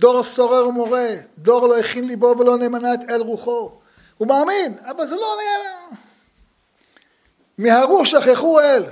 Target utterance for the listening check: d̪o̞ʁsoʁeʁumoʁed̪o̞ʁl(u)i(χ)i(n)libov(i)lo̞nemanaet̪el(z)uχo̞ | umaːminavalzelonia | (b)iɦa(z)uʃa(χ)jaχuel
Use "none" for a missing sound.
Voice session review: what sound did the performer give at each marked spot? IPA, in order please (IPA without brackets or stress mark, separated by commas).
o, χ, n, e, ʁ, m, ʁ, χ